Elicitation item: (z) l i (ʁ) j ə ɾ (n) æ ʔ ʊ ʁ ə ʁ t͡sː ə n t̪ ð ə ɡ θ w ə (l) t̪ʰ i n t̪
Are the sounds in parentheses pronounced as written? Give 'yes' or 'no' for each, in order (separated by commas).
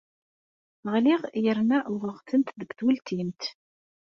no, yes, yes, yes